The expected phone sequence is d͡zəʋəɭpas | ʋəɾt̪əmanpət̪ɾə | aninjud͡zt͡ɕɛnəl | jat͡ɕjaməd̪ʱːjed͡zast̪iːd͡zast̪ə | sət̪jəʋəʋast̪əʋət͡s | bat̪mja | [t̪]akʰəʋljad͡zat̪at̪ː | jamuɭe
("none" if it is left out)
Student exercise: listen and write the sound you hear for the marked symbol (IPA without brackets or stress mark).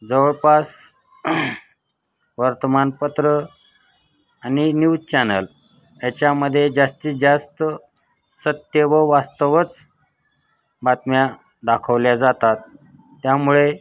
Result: d̪